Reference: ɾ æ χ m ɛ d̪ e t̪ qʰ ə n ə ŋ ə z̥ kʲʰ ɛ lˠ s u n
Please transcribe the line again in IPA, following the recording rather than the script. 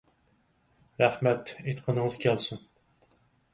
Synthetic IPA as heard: ɾ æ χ m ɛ t̪ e t̪ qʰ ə n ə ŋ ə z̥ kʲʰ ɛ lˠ s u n